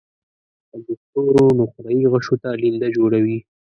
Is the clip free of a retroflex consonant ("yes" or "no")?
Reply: no